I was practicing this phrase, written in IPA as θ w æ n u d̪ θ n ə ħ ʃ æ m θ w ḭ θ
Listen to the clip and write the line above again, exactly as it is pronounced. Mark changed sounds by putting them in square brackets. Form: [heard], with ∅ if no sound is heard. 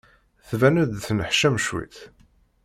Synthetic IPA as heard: θ [v] æ n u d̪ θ n ə ħ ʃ æ m [ʃ] w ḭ θ